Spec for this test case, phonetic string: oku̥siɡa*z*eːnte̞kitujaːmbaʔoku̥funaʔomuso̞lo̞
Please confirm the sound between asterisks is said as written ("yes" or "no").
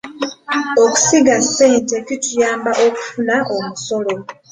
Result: no